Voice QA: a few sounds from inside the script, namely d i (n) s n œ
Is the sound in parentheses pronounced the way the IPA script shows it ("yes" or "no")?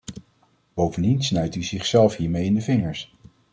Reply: yes